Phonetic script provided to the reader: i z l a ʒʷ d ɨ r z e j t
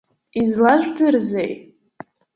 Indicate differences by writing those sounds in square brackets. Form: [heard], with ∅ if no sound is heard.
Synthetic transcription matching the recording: i z l a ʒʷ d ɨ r z e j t